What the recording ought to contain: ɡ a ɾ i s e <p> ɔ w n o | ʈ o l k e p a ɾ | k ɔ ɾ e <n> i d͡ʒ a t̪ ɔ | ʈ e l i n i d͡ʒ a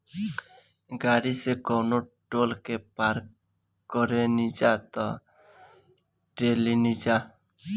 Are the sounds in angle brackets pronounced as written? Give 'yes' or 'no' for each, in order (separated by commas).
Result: no, yes